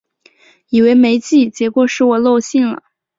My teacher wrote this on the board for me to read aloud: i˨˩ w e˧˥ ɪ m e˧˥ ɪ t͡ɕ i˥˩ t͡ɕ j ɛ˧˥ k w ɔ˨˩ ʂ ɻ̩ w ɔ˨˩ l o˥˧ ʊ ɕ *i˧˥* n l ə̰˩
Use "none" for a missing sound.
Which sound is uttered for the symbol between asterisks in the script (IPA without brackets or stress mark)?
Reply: i˥˩